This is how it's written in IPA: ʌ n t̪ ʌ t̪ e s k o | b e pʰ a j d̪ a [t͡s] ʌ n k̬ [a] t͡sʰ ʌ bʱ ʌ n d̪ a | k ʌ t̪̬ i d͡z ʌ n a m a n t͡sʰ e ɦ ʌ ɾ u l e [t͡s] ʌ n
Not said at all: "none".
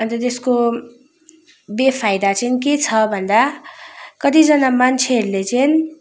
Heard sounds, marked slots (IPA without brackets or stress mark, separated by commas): t͡s, e, t͡s